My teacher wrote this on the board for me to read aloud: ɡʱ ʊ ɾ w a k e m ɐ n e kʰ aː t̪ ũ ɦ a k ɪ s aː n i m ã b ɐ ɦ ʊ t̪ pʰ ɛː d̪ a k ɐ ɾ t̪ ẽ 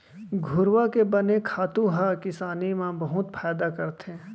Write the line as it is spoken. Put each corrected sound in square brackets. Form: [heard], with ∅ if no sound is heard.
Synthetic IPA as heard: ɡʱ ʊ ɾ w a k e [b] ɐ n e kʰ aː t̪ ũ ɦ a k ɪ s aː n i m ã b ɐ ɦ ʊ t̪ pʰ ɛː d̪ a k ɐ ɾ t̪ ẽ

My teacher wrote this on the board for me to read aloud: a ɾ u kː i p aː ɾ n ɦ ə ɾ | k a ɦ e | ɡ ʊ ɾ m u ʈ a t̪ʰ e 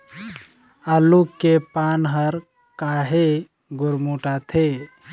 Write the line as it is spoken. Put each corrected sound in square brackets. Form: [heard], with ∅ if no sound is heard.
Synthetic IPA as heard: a [l] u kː [e] p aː [∅] n ɦ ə ɾ | k a ɦ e | ɡ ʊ ɾ m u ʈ a t̪ʰ e

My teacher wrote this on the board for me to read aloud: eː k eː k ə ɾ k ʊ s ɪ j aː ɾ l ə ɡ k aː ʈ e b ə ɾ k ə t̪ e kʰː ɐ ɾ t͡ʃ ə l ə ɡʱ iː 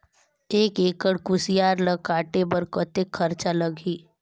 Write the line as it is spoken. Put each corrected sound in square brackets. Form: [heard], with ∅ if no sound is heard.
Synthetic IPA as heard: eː k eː k ə [ɽ] k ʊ s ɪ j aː ɾ l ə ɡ k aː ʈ e b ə ɾ k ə t̪ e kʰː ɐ ɾ t͡ʃ [a] l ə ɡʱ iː

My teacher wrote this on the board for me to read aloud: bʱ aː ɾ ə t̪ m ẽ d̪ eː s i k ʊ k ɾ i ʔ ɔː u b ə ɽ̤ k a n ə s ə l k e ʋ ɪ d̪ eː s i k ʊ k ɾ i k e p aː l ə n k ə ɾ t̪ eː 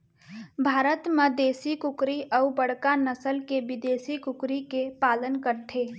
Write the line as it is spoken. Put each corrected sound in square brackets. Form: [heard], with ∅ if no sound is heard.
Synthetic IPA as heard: bʱ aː ɾ ə t̪ m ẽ d̪ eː s i k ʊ k ɾ i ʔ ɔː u b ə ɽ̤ k a n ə s ə l k e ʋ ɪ d̪ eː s i k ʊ k ɾ i k e p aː l ə n k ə ɾ [t̪ʰ] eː

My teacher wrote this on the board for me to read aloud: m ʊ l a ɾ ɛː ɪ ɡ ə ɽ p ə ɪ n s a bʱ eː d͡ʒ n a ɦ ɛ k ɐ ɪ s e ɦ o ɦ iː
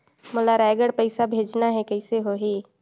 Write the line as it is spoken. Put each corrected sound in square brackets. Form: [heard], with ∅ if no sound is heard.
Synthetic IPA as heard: m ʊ l a ɾ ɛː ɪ ɡ ə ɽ p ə ɪ [∅] s a bʱ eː d͡ʒ n a ɦ ɛ k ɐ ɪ s e ɦ o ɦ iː

